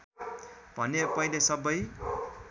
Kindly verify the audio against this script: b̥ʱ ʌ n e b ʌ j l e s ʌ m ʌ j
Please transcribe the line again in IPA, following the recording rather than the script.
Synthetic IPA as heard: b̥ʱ ʌ n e p ʌ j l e s ʌ b ʌ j